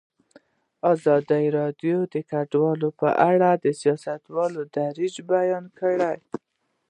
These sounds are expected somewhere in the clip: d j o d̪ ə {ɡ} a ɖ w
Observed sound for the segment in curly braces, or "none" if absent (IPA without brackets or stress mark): k